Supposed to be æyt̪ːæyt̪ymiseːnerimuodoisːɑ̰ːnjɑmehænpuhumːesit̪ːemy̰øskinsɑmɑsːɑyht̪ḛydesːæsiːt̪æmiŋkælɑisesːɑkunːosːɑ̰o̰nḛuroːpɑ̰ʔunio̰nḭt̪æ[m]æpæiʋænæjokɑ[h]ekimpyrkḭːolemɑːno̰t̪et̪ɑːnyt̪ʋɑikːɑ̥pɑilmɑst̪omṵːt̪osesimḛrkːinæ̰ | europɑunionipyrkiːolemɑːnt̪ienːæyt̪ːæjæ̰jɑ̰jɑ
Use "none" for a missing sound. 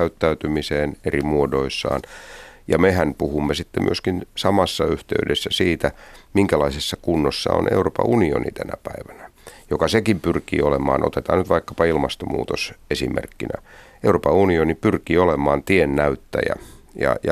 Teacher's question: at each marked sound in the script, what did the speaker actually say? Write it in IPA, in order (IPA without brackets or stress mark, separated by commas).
n, s